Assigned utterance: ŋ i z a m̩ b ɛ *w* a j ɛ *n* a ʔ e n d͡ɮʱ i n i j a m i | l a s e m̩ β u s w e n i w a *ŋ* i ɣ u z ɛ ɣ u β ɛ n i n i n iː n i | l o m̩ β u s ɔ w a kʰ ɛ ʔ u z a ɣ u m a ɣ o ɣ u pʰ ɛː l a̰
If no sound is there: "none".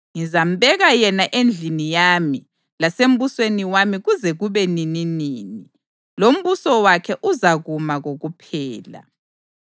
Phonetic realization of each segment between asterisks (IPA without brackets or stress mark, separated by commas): ɣ, n, m